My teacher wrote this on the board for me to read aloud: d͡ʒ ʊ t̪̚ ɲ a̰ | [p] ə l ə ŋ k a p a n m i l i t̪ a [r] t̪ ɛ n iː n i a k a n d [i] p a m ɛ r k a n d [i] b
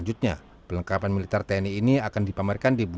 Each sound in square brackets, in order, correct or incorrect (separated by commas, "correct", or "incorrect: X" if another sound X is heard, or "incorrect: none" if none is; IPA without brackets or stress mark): correct, correct, correct, correct